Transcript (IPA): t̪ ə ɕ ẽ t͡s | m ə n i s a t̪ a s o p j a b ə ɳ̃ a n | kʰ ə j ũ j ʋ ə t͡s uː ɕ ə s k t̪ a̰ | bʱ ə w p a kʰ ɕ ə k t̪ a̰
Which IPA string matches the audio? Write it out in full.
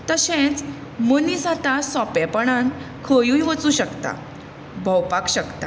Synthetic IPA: t̪ ə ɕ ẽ t͡s | m ə n i s a t̪ a s ɔ p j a p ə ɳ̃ a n | kʰ ə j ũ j ʋ ə t͡s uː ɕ ə k t̪ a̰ | bʱ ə w p a k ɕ ə k t̪ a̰